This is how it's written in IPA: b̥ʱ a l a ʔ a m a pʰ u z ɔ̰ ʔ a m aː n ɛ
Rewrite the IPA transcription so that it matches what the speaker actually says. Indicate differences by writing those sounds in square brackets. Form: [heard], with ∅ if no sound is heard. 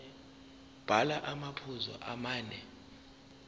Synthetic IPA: b̥ʱ a l a ʔ a m a pʰ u z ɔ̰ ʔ a m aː n ɛ